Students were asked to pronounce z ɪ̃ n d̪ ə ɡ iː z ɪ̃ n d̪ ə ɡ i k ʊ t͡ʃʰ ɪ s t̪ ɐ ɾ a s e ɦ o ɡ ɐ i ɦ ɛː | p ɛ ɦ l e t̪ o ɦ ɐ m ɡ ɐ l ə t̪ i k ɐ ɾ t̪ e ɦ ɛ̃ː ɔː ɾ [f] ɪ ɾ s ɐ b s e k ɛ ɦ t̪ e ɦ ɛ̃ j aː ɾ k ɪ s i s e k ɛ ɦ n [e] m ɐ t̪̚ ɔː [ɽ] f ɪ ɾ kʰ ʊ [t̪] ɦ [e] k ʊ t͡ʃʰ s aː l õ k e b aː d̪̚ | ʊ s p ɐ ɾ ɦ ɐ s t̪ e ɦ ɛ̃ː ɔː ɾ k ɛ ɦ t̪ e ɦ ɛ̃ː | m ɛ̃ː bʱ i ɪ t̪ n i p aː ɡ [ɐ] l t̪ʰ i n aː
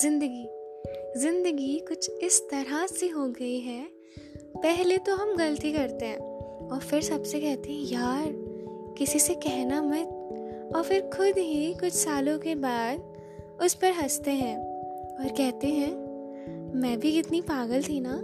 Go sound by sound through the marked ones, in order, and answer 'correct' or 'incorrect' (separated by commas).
correct, incorrect, incorrect, incorrect, incorrect, incorrect